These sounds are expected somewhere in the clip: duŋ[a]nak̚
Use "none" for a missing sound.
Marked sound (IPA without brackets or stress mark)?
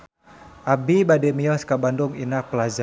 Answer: i